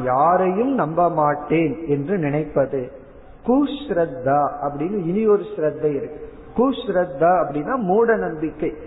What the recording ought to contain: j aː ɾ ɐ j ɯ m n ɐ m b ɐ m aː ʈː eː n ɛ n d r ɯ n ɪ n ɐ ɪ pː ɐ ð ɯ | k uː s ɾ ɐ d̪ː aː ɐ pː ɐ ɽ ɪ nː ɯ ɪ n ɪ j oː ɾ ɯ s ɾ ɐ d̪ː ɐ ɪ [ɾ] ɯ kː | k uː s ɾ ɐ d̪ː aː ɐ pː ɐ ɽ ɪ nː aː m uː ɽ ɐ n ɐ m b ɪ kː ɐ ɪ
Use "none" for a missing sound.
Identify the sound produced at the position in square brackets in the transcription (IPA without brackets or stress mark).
ɾ